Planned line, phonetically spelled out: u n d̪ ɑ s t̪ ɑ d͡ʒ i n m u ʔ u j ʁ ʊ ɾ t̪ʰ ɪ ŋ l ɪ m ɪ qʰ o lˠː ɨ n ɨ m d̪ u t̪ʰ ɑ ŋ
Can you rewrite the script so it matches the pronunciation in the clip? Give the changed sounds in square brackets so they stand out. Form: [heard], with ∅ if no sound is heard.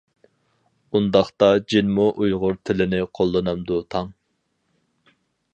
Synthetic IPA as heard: u n d̪ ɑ [χ] t̪ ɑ d͡ʒ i n m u ʔ u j ʁ ʊ ɾ t̪ʰ ɪ [∅] l ɪ [n] ɪ qʰ o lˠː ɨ n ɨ m d̪ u t̪ʰ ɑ ŋ